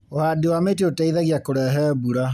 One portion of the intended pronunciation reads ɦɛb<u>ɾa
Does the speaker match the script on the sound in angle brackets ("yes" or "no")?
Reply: yes